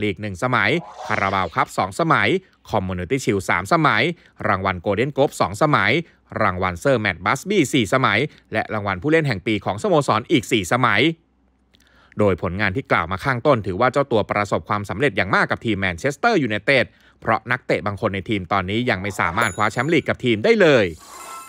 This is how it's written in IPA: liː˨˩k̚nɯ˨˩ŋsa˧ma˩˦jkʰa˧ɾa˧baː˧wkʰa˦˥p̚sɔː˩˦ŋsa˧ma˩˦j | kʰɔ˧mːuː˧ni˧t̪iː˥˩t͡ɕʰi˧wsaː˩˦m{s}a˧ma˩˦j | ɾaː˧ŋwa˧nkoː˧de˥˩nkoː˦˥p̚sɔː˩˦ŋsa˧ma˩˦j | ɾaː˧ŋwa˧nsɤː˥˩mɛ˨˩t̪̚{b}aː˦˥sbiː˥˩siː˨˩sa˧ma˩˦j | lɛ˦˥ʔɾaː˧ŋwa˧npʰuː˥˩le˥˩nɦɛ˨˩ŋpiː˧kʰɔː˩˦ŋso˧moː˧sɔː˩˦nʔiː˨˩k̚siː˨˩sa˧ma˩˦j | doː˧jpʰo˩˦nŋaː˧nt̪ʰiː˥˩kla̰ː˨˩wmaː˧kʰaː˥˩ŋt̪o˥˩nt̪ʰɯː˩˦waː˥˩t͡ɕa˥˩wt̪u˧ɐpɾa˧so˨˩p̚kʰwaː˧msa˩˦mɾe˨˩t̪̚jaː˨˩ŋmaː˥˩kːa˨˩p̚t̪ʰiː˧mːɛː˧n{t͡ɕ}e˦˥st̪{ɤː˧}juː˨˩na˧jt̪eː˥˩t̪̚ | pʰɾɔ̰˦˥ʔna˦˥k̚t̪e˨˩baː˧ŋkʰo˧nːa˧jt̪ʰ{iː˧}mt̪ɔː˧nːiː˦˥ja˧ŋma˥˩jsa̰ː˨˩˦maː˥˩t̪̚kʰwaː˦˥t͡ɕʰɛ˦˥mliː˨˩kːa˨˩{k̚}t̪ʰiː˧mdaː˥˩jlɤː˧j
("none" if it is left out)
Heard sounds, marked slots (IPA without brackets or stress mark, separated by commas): s, b, t͡ɕʰ, ɤː˥˩, iː˧, p̚